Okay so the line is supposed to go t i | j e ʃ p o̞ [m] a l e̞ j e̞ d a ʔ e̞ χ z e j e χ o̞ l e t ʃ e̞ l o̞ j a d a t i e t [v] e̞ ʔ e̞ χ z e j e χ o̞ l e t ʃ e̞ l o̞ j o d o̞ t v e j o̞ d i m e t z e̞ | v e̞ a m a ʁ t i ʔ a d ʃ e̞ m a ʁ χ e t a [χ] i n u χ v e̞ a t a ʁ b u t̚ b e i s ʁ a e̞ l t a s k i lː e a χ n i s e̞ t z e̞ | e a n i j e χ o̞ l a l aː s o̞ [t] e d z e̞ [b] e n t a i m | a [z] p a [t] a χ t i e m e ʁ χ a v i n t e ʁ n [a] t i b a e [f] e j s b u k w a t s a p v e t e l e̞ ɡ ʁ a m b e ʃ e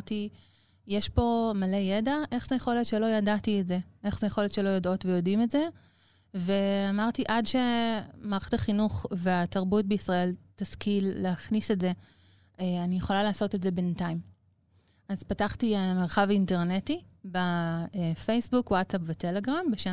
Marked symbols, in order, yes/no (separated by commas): yes, no, yes, yes, yes, yes, yes, no, yes